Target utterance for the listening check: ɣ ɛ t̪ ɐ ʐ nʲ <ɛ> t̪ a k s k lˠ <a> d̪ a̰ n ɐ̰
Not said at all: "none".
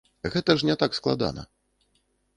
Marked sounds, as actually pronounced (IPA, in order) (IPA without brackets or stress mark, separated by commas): ɛ, a